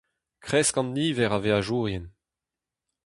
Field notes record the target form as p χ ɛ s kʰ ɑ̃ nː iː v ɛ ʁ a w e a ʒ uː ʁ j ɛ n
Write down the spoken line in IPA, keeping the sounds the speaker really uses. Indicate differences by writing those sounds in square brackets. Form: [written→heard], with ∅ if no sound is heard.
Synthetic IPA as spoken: [p→k] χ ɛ s [kʰ→k] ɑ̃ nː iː v ɛ ʁ a [w→v] e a ʒ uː ʁ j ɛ n